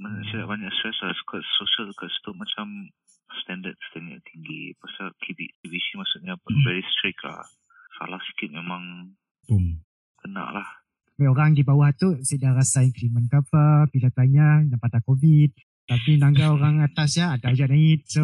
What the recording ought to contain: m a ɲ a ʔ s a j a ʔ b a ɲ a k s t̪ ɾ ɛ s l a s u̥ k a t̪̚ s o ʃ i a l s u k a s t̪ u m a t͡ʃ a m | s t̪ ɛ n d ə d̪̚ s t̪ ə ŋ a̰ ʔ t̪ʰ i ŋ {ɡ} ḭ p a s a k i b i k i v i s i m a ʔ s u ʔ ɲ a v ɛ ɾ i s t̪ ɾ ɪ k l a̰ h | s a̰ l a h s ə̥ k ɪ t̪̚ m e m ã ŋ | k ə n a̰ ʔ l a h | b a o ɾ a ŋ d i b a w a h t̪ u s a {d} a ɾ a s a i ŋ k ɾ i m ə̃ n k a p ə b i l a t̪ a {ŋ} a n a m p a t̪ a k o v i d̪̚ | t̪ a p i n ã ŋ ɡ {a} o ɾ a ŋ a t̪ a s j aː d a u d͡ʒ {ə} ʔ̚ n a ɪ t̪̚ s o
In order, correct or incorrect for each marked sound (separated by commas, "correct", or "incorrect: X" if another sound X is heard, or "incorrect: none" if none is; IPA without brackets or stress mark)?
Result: correct, correct, incorrect: ɲ, correct, incorrect: a